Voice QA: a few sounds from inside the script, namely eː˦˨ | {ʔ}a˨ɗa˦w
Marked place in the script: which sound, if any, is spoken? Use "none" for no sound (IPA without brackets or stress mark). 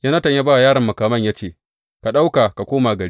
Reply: k